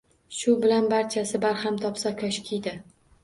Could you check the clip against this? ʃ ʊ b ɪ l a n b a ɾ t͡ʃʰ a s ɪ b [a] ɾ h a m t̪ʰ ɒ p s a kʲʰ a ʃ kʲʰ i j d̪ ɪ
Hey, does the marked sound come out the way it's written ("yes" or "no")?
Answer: yes